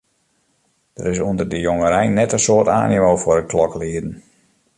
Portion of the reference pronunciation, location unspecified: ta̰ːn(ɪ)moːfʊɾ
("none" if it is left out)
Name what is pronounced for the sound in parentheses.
i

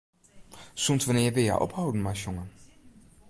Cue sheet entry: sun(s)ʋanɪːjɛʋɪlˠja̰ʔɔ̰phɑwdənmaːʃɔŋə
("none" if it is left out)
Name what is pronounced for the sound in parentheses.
t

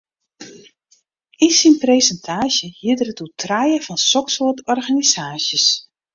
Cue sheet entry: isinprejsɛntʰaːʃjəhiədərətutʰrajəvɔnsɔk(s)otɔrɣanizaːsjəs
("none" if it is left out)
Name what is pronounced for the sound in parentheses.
s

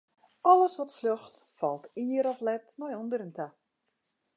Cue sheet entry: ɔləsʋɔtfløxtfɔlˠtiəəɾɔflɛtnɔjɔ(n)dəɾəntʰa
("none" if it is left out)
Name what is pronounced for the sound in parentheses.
n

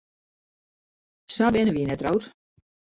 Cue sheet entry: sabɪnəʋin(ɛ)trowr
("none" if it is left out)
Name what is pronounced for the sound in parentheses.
ɛ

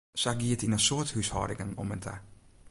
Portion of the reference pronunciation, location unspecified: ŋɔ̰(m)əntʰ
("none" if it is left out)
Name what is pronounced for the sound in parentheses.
m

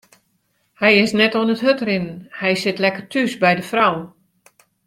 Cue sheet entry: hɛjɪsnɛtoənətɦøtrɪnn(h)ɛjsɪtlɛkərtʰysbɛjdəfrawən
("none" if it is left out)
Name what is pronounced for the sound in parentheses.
h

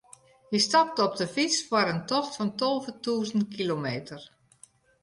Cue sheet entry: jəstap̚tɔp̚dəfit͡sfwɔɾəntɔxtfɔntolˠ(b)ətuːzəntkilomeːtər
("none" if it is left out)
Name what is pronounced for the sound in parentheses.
v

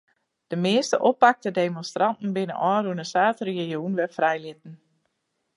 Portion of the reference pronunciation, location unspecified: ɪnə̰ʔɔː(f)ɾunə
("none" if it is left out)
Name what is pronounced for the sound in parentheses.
none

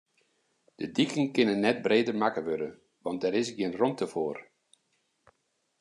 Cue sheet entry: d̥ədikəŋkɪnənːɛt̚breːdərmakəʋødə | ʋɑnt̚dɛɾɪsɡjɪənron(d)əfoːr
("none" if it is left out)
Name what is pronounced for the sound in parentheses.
t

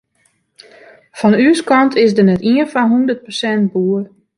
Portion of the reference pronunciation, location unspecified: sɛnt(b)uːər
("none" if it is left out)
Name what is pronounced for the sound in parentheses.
b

